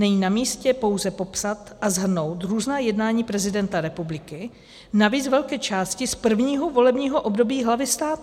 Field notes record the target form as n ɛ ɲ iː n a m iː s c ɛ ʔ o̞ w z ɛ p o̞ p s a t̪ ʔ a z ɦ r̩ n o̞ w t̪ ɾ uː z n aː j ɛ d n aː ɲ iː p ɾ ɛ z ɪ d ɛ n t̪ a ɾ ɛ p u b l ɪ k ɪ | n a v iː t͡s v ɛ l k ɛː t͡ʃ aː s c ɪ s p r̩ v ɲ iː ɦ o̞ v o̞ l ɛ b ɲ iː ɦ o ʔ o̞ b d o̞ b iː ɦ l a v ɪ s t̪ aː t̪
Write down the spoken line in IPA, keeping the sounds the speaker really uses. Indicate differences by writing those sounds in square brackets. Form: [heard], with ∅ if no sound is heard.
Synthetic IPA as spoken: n ɛ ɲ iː n a m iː s c ɛ [p] o̞ w z ɛ p o̞ p s a t̪ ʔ a z ɦ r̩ n o̞ w t̪ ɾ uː z n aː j ɛ d n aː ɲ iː p ɾ ɛ z ɪ d ɛ n t̪ a ɾ ɛ p u b l ɪ k ɪ | n a v iː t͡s v ɛ l k ɛː t͡ʃ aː s c ɪ s p r̩ v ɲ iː ɦ o̞ v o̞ l ɛ b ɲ iː ɦ o ʔ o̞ b d o̞ b iː ɦ l a v ɪ s t̪ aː t̪